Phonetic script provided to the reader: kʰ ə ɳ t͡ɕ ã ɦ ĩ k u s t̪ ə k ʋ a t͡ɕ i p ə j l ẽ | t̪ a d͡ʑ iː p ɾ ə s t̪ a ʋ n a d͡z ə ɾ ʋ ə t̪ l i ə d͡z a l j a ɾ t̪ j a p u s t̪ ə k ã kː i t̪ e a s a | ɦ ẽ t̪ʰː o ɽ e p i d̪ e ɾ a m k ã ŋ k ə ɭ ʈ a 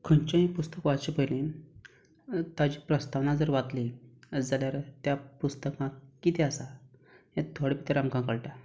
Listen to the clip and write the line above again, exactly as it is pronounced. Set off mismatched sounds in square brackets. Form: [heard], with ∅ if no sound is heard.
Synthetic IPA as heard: kʰ ə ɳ t͡ɕ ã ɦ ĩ [p] u s t̪ ə k ʋ a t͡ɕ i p ə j l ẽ | t̪ a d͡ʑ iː p ɾ ə s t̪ a ʋ n a d͡z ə ɾ ʋ [a] t̪ l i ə d͡z a l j a ɾ t̪ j a p u s t̪ ə k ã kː i t̪ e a s a | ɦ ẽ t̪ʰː o ɽ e p i [t̪] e ɾ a m k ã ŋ k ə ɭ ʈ a